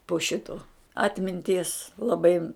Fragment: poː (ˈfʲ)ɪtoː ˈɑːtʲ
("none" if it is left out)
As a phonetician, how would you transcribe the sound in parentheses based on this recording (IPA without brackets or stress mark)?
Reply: ʃʲ